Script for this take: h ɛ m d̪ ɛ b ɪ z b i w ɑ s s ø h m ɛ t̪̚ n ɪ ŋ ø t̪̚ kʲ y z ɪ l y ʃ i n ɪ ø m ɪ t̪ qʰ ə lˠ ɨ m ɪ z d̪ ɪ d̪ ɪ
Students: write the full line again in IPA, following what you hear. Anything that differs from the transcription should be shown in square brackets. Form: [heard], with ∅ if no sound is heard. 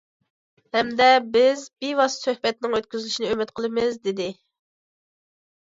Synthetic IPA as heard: h ɛ m d̪ ɛ b ɪ z b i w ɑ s s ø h [b] ɛ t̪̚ n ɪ ŋ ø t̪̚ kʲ y z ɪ l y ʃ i n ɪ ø m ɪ t̪ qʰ ə lˠ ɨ m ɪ z d̪ ɪ d̪ ɪ